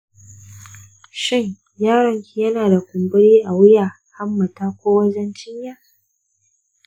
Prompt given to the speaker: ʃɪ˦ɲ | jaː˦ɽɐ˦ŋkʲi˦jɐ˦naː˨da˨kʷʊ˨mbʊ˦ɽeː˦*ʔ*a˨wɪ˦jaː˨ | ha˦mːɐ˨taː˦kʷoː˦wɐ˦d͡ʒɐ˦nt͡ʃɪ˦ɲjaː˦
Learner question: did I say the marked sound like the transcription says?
yes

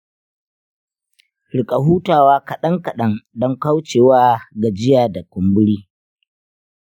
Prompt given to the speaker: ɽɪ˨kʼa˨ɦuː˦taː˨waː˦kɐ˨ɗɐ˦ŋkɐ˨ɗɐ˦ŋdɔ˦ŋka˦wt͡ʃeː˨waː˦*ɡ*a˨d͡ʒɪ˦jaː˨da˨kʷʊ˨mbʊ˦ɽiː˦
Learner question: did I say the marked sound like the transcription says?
yes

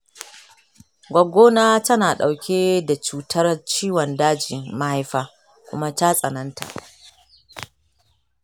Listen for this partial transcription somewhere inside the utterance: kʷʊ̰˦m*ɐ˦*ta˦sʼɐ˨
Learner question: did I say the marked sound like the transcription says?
no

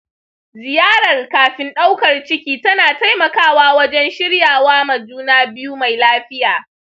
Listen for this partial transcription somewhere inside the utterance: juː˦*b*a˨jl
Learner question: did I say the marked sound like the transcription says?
no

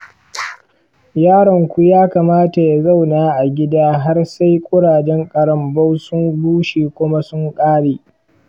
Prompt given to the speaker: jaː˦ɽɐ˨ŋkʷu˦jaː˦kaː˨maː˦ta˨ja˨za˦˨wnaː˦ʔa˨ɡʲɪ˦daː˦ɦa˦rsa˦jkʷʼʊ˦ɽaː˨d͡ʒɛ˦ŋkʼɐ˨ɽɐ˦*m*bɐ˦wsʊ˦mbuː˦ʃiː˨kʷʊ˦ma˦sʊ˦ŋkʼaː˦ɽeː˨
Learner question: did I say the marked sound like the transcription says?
yes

